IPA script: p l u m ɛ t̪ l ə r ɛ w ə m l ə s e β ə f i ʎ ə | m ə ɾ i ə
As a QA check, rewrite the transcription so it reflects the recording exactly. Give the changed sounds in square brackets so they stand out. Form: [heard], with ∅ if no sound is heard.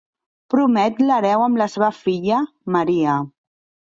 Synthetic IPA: p [ɾ] u m ɛ t̪ l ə [ɾ] ɛ w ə m l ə s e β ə f i ʎ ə | m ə ɾ i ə